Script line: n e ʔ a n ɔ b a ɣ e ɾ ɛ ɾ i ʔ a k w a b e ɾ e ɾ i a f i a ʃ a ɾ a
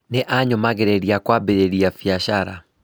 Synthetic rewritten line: n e ʔ a ɲ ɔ m a ɣ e ɾ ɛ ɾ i a k w a b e ɾ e ɾ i a f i a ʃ a ɾ a